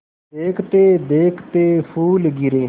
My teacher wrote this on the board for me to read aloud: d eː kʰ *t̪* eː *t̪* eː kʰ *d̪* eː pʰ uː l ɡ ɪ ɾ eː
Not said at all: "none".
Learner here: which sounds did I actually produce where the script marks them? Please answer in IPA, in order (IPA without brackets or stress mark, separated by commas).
t̪, d̪, t̪